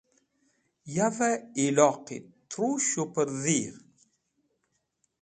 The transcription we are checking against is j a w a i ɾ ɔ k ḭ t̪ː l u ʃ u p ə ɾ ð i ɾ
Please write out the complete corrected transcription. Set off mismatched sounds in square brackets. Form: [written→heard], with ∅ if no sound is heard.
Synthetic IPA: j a [w→v] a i [ɾ→l] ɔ [k→q] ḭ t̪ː [l→ɾ] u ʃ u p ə ɾ ð i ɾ